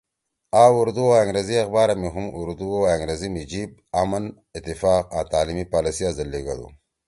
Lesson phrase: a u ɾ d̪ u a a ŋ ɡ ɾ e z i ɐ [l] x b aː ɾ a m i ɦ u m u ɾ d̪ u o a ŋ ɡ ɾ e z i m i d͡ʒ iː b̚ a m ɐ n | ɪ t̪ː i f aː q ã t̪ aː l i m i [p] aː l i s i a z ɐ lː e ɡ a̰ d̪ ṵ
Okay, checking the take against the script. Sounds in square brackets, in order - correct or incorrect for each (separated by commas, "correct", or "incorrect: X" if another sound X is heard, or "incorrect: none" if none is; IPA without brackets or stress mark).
incorrect: none, correct